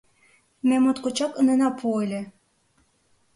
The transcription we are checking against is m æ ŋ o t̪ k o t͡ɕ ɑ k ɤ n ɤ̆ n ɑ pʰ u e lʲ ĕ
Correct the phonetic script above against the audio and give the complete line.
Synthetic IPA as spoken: m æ m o t̪ k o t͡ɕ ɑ k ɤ n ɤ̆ n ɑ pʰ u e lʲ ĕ